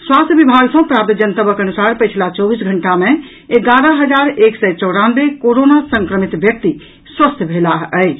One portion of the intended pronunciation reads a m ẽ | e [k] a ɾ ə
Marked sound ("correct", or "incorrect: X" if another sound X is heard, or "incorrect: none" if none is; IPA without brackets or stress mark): incorrect: ɡ